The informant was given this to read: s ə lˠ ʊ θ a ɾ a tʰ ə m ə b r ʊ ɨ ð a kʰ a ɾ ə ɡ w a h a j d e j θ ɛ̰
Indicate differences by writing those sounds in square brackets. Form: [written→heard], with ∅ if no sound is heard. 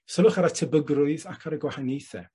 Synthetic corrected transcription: s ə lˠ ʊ [θ→χ] a ɾ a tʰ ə [m→b] ə [b→ɡ] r ʊ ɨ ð a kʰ a ɾ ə ɡ w a h a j [d→n] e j θ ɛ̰